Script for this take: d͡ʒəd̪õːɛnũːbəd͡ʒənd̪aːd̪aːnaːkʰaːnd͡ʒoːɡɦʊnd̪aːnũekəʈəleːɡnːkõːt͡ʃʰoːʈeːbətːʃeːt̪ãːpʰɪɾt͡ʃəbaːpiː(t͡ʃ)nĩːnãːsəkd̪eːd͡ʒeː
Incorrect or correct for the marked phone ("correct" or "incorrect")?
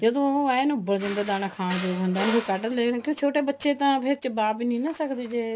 incorrect